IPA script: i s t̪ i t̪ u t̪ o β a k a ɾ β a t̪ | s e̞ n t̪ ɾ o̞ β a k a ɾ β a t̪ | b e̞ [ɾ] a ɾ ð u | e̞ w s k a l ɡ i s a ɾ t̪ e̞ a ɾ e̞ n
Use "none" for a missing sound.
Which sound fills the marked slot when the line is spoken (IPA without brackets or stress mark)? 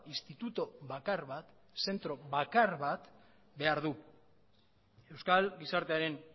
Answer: none